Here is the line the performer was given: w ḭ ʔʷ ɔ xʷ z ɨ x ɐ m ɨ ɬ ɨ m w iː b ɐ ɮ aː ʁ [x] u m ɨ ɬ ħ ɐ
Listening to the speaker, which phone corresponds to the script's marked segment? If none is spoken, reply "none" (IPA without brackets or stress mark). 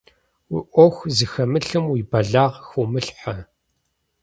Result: x